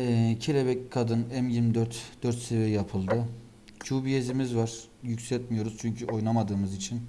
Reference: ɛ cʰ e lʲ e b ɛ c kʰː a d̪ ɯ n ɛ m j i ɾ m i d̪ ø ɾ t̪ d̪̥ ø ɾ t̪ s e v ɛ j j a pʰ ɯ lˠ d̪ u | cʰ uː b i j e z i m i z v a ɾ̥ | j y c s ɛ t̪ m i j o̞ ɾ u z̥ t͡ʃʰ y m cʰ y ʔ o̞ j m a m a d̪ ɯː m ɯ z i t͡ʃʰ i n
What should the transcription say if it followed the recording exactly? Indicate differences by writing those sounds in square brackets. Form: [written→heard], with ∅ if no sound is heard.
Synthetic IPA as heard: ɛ cʰ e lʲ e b ɛ c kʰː a d̪ ɯ n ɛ m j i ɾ m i d̪ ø ɾ t̪ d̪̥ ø ɾ t̪ s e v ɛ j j a pʰ ɯ lˠ d̪ [u→ɯ] | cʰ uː b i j e z i m i z v a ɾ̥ | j y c s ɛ t̪ m i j o̞ ɾ u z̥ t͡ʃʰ y [m→ɲ] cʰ y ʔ o̞ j [m→n] a m a d̪ ɯː m ɯ z i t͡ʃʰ i n